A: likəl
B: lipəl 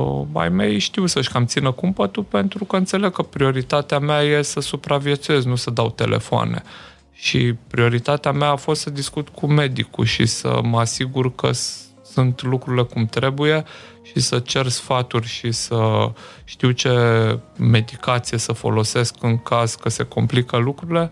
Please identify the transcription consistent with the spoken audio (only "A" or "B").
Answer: A